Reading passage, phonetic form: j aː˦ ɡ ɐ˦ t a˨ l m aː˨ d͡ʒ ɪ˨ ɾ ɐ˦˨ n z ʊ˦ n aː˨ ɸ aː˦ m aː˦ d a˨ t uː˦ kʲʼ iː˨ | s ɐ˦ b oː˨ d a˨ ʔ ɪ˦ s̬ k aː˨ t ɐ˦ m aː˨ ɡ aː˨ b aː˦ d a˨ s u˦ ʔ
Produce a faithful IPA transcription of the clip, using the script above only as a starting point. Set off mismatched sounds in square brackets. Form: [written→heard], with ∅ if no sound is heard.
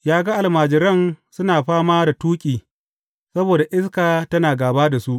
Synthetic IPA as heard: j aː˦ ɡ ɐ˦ [t→ʔ] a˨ l m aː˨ d͡ʒ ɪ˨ ɾ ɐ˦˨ n [z→s] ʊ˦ n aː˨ ɸ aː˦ m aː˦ d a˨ t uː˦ kʲʼ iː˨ | s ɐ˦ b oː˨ d a˨ ʔ ɪ˦ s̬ k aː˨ t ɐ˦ [m→n] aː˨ ɡ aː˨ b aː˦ d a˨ s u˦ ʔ